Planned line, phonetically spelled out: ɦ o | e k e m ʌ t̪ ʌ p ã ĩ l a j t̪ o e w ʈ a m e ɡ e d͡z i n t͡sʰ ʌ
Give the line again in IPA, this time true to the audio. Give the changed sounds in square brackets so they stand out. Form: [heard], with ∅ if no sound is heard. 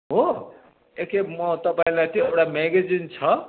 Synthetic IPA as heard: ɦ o | e k e m ʌ t̪ ʌ p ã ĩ l a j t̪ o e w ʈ a m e ɡ e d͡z i n t͡sʰ ʌ